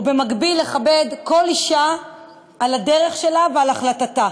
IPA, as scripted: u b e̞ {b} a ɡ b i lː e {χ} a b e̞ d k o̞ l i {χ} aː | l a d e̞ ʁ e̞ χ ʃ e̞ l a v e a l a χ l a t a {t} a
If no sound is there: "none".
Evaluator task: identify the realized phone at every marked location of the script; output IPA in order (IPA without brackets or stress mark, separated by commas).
m, χ, ʃ, t